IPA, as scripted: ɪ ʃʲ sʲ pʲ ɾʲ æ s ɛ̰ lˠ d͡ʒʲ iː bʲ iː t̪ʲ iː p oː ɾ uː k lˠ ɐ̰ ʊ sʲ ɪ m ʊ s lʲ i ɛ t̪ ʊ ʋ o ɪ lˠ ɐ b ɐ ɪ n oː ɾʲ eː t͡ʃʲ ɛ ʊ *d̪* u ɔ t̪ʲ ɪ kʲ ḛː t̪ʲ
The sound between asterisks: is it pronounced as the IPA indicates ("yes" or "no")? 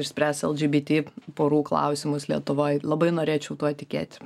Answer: no